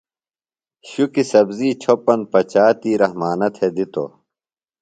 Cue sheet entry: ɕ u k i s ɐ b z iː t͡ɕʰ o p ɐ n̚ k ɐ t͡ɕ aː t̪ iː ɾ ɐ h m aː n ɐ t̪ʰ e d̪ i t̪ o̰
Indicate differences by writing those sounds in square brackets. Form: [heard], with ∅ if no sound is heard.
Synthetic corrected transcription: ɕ u k i s ɐ b z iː t͡ɕʰ o p ɐ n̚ [p] ɐ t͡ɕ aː t̪ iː ɾ ɐ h m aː n ɐ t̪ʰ e d̪ i t̪ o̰

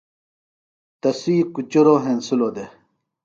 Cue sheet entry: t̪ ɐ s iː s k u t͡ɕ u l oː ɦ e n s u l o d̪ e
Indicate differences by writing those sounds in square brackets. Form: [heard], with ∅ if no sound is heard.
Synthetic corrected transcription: t̪ ɐ s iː [∅] k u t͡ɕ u [ɾ] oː ɦ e n s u l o d̪ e

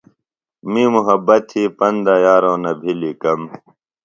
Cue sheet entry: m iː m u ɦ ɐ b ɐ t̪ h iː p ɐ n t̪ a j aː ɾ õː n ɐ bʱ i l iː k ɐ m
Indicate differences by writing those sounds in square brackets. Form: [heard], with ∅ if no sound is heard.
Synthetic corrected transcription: m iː m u ɦ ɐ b ɐ t̪ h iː p ɐ n [d̪] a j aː ɾ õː n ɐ bʱ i l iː k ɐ m

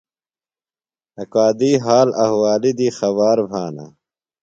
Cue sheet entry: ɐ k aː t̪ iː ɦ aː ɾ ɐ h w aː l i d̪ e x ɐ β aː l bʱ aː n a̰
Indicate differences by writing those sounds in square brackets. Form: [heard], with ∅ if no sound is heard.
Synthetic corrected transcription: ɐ k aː [d̪] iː ɦ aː [l] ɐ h w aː l i d̪ [i] x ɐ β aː [ɾ] bʱ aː n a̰

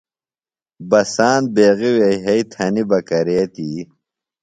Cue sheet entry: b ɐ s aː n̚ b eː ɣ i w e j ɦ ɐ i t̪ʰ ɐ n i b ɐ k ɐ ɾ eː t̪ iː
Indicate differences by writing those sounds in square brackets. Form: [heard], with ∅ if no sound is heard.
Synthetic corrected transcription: b ɐ s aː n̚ b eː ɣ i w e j ɦ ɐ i t̪ʰ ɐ n i b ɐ k ɐ ɾ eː t̪ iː

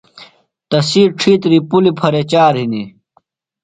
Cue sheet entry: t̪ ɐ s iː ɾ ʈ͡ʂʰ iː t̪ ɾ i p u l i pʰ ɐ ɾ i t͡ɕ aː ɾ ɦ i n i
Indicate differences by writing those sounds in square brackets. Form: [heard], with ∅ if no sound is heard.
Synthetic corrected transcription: t̪ ɐ s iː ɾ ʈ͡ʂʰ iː t̪ ɾ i p u l i pʰ ɐ ɾ [e] t͡ɕ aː ɾ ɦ i n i

